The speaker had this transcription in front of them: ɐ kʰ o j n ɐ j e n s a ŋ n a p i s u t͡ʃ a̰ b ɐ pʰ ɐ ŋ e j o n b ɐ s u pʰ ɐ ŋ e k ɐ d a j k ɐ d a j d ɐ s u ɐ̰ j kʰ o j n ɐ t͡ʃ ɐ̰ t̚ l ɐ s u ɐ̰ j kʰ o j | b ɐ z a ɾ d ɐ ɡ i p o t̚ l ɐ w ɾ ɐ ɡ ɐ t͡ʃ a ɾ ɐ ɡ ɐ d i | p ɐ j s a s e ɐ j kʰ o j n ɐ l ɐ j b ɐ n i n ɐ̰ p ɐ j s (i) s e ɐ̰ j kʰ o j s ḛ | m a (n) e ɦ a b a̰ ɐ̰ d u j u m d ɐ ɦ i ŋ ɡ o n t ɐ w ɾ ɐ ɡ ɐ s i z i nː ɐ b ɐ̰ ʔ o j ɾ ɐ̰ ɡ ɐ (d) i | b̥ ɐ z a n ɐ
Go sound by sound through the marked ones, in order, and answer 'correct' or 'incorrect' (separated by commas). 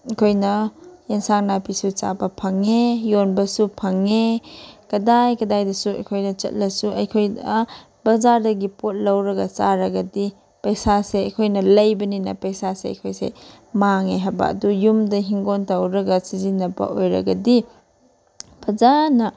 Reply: incorrect, incorrect, correct